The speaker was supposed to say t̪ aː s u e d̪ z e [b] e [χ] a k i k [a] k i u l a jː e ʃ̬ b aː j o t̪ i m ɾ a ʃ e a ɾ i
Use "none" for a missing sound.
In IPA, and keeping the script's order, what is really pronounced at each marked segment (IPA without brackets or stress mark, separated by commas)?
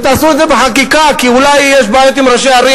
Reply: b, ħ, a